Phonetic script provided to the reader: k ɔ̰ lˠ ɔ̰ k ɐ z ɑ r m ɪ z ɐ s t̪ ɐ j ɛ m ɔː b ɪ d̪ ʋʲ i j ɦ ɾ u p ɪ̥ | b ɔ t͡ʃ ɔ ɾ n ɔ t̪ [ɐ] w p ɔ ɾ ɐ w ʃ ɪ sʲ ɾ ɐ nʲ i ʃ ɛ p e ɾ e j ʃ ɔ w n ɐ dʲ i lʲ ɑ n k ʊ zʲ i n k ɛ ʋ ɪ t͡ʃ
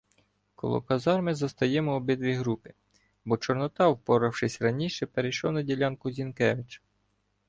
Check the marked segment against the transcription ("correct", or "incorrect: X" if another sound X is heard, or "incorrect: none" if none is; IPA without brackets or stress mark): incorrect: ɑ